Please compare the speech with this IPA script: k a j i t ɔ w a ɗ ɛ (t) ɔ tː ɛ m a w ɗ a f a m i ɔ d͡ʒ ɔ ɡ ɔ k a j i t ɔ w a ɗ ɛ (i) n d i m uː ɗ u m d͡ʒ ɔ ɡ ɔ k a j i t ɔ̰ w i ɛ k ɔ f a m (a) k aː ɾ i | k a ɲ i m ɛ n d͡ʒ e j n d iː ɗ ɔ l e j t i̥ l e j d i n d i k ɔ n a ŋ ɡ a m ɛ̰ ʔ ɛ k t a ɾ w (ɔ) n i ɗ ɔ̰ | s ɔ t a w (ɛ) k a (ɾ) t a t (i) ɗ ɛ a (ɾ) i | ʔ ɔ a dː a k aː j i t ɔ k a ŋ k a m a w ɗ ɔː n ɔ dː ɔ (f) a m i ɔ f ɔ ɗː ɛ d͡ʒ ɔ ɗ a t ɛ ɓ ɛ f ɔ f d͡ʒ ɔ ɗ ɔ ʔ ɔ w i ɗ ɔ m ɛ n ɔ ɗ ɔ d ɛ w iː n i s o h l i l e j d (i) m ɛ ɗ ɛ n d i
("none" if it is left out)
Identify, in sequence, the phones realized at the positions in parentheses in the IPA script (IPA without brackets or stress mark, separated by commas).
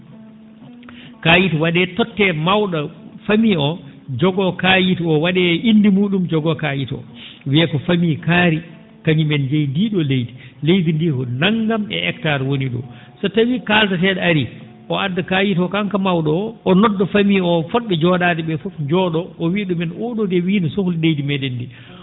t, i, i, o, i, l, ɛ, ɾ, f, i